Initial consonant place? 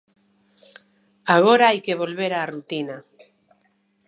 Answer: velar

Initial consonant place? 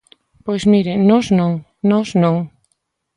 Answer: labial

